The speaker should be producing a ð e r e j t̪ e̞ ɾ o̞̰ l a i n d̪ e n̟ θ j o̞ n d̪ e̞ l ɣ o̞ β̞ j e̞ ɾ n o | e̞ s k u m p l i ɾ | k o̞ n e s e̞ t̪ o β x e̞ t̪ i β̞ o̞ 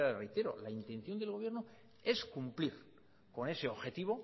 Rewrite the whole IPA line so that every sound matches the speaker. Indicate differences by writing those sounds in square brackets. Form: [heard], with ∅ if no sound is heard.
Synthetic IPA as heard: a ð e r e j t̪ e̞ ɾ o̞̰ l a i n [t̪] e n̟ θ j o̞ n d̪ e̞ l ɣ o̞ β̞ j e̞ ɾ n o | e̞ s k u m p l i ɾ | k o̞ n e s e̞ [∅] o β x e̞ t̪ i β̞ o̞